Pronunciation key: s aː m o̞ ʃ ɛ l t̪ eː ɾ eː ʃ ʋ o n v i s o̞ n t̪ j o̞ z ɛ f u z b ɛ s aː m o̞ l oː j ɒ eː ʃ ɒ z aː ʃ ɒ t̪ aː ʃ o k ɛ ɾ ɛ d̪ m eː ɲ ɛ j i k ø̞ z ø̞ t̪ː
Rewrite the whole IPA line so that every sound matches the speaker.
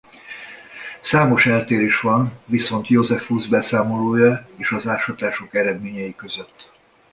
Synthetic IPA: s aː m o̞ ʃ ɛ l t̪ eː ɾ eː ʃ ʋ ɒ n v i s o̞ n t̪ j o̞ z ɛ f u z b ɛ s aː m o̞ l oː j ɒ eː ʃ ɒ z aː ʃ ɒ t̪ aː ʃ o k ɛ ɾ ɛ d̪ m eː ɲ ɛ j i k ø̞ z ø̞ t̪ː